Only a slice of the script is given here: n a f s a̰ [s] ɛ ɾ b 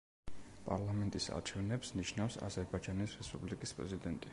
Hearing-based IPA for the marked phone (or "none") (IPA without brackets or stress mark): z